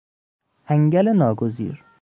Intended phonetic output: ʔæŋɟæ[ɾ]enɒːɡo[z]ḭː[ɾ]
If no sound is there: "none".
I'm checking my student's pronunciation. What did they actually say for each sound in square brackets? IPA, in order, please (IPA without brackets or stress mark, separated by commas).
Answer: l, z, ɾ